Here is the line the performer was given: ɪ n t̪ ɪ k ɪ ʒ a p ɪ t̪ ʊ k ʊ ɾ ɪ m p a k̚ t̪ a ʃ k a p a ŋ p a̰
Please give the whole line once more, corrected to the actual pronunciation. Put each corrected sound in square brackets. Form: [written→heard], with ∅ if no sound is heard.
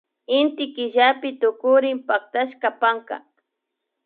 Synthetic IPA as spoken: ɪ n t̪ ɪ k ɪ ʒ a p ɪ t̪ ʊ k ʊ ɾ ɪ m p a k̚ t̪ a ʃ k a p a ŋ [p→k] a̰